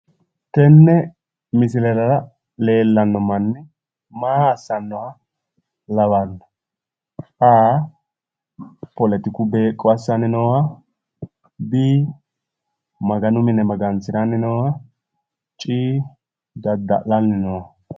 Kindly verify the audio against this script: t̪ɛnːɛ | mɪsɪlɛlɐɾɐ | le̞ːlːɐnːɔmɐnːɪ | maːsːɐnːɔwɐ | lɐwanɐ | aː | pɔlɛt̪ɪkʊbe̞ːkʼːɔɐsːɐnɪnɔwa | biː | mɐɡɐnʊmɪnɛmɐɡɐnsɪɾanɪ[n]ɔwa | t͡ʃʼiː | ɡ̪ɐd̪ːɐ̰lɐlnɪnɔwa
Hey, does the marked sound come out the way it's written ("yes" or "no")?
yes